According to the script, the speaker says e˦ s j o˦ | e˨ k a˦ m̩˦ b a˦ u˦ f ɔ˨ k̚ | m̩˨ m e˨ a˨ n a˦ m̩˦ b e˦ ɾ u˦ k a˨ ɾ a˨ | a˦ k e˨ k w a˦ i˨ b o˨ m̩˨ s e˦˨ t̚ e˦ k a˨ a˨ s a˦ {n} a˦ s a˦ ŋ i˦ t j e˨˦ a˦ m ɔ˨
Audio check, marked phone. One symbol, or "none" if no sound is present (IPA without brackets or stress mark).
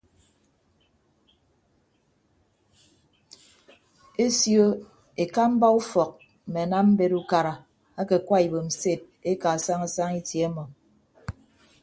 ŋ